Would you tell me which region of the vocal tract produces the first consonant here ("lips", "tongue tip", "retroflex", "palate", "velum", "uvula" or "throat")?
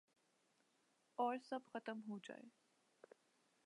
tongue tip